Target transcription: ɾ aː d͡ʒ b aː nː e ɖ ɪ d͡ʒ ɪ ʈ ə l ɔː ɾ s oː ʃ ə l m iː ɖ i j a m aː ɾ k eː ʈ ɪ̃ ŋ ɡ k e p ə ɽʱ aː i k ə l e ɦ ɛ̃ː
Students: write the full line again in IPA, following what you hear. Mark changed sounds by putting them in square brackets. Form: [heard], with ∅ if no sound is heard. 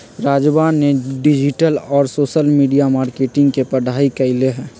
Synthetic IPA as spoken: ɾ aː d͡ʒ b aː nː e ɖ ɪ d͡ʒ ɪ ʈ ə l ɔː ɾ s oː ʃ ə l m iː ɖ i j a m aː ɾ k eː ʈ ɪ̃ ŋ ɡ k e p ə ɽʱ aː i k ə l e ɦ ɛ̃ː